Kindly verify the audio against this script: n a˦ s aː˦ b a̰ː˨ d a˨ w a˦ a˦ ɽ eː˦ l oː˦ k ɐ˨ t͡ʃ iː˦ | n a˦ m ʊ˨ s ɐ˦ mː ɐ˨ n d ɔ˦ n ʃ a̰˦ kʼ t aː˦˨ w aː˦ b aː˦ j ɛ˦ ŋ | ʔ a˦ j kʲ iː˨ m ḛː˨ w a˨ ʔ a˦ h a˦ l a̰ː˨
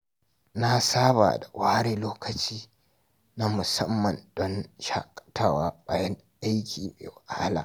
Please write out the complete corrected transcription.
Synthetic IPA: n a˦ s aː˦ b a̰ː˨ d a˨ w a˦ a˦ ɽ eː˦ l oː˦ k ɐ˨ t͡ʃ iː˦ | n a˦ m ʊ˨ s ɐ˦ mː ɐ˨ n d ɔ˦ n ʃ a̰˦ kʼ t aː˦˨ w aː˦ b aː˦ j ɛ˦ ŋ | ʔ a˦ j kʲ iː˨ m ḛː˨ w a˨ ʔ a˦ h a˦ l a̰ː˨